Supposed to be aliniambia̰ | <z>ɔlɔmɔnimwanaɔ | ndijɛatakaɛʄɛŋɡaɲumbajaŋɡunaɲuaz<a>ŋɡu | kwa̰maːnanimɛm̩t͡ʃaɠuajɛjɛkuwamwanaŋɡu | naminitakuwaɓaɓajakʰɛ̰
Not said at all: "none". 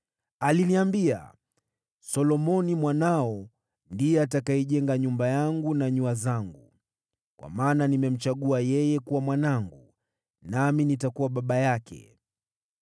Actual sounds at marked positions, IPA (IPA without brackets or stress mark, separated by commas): s, a